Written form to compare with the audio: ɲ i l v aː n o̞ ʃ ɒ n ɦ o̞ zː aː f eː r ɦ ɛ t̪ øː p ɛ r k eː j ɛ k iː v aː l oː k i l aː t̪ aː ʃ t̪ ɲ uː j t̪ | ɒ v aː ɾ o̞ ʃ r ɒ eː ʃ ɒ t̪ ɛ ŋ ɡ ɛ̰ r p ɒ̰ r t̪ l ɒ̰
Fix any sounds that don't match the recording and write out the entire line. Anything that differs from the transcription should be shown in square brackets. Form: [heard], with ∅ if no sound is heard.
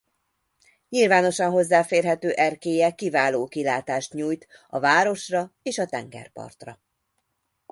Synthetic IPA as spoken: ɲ i l v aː n o̞ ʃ ɒ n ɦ o̞ zː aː f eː r ɦ ɛ t̪ øː [ʔ] ɛ r k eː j ɛ k [i] v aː l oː k i l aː t̪ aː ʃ t̪ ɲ uː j t̪ | ɒ v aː ɾ o̞ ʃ r ɒ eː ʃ ɒ t̪ ɛ ŋ ɡ ɛ̰ r p ɒ̰ r t̪ [r] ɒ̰